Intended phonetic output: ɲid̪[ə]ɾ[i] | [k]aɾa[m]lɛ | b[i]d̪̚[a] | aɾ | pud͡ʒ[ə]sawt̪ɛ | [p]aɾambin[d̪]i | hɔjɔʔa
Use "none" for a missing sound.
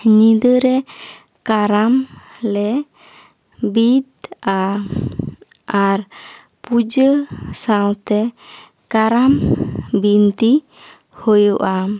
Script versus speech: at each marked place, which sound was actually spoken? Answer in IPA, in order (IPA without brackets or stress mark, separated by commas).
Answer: ə, ɛ, k, m, i, a, ə, k, t̪